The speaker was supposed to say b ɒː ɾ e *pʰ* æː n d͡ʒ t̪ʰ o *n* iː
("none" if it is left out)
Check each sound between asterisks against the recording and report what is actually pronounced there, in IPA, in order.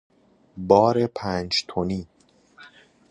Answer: pʰ, n

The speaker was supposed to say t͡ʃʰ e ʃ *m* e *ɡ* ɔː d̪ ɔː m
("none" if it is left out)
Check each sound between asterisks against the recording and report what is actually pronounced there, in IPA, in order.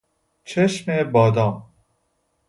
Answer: m, b

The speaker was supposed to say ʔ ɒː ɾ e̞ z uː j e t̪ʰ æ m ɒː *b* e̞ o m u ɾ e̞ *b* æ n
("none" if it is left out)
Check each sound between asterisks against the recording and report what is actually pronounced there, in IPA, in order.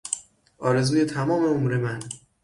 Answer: m, m

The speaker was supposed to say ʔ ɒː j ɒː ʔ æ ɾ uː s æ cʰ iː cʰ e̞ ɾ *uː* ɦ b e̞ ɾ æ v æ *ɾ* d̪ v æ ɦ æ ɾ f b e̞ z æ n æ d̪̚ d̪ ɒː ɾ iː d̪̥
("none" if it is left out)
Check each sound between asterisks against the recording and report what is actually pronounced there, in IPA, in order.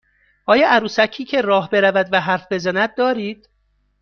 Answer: ɒː, none

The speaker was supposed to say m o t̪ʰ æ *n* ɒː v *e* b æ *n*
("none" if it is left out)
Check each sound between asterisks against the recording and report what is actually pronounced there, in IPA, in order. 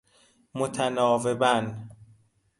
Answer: n, e, n

